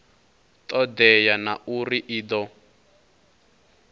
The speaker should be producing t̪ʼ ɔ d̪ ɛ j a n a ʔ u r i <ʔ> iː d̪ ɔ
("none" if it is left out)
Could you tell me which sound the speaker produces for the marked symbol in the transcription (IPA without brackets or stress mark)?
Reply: ʔ